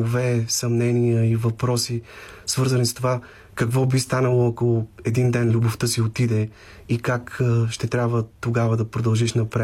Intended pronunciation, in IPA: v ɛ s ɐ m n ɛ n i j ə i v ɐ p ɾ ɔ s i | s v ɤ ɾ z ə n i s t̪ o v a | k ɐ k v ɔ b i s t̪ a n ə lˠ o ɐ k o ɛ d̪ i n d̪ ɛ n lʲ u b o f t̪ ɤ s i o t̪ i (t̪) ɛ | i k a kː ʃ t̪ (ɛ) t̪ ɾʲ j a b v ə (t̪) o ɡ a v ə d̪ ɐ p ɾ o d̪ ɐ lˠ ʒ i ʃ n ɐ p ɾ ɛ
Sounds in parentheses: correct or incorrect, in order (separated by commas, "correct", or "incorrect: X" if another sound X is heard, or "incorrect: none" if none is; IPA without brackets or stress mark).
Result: incorrect: d̪, correct, correct